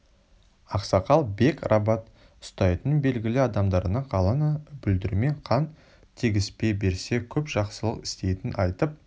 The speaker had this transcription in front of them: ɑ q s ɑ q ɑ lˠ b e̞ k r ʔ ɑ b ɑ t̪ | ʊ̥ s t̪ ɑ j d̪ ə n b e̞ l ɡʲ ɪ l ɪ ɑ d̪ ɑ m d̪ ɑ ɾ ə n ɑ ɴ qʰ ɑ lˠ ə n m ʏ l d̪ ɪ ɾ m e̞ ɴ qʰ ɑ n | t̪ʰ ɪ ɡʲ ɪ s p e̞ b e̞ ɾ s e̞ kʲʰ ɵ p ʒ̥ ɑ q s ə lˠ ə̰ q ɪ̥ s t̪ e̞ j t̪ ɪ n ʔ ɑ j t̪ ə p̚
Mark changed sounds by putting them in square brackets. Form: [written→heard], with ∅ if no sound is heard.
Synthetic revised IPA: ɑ q s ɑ q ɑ lˠ b e̞ k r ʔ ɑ b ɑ t̪ | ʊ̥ s t̪ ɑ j [d̪→t̪] ə n b e̞ l ɡʲ ɪ l ɪ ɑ d̪ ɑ m d̪ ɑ ɾ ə n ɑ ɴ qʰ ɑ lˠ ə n [m→b] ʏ l d̪ ɪ ɾ m e̞ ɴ qʰ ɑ n | t̪ʰ [ɪ→i] ɡʲ ɪ s p e̞ b e̞ ɾ s e̞ kʲʰ ɵ p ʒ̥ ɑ q s ə lˠ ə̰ q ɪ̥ s t̪ e̞ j t̪ ɪ n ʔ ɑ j t̪ ə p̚